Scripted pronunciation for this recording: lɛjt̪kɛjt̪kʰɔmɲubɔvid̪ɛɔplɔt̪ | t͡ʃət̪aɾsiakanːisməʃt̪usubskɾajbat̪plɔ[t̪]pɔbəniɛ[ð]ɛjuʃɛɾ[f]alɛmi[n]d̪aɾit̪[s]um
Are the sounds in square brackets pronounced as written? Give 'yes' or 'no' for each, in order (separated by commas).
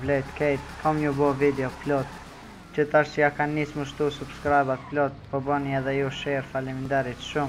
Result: yes, yes, yes, yes, no